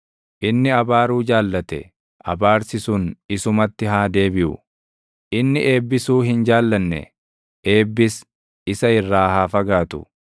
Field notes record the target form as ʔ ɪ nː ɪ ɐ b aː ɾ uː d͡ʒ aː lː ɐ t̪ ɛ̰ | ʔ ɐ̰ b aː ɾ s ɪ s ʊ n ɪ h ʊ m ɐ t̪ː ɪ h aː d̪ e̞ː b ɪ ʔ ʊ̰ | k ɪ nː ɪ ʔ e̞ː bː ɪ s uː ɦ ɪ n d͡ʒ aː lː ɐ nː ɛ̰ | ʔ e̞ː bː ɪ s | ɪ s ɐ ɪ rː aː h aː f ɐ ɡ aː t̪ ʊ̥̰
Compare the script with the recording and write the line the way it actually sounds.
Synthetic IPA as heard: ʔ ɪ nː ɪ ɐ b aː ɾ uː d͡ʒ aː lː ɐ t̪ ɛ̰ | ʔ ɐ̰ b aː ɾ s ɪ s ʊ n ɪ s ʊ m ɐ t̪ː ɪ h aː d̪ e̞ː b ɪ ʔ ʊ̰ | ʔ ɪ nː ɪ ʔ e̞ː bː ɪ s uː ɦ ɪ n d͡ʒ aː lː ɐ nː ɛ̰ | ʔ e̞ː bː ɪ s | ɪ s ɐ ɪ rː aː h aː f ɐ ɡ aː t̪ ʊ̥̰

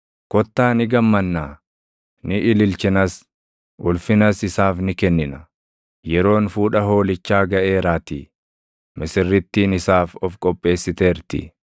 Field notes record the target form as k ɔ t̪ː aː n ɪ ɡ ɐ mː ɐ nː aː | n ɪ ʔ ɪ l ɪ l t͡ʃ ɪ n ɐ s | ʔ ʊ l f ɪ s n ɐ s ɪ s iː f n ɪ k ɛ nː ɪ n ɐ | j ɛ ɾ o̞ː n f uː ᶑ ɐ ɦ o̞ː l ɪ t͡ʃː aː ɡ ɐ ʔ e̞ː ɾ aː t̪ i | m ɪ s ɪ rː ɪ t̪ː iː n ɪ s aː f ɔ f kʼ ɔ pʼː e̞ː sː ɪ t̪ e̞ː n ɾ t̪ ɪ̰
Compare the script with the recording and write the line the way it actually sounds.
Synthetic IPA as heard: k ɔ t̪ː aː n ɪ ɡ ɐ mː ɐ nː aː | n ɪ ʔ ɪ l ɪ l t͡ʃ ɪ n ɐ s | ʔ ʊ l f ɪ n ɐ s ɪ s aː f n ɪ k ɛ nː ɪ n ɐ | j ɛ ɾ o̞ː n f uː ᶑ ɐ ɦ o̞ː l ɪ t͡ʃː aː ɡ ɐ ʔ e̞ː ɾ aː t̪ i | m ɪ s ɪ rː ɪ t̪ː iː n ɪ s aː f ɔ f kʼ ɔ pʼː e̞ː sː ɪ t̪ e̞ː ɾ t̪ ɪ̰

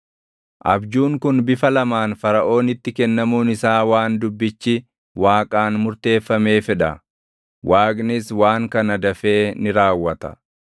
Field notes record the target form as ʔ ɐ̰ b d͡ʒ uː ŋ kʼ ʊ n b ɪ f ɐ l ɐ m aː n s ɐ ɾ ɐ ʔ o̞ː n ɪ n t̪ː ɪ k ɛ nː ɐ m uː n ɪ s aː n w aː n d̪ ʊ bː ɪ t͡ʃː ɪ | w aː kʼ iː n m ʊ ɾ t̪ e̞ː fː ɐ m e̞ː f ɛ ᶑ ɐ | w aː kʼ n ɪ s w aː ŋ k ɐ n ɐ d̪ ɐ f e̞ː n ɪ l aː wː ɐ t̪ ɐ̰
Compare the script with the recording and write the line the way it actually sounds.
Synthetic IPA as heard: ʔ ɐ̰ b d͡ʒ uː ŋ k ʊ n b ɪ f ɐ l ɐ m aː n f ɐ ɾ ɐ ʔ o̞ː n ɪ t̪ː ɪ k ɛ nː ɐ m uː n ɪ s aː w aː n d̪ ʊ bː ɪ t͡ʃː ɪ | w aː kʼ aː n m ʊ ɾ t̪ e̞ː fː ɐ m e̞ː f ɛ ᶑ ɐ | w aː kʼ n ɪ s w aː ŋ k ɐ n ɐ d̪ ɐ f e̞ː n ɪ ɾ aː wː ɐ t̪ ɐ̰

